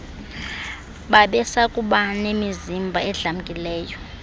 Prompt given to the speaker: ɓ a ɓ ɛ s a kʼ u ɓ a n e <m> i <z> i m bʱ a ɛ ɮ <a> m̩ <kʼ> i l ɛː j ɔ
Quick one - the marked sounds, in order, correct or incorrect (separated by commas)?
correct, correct, correct, correct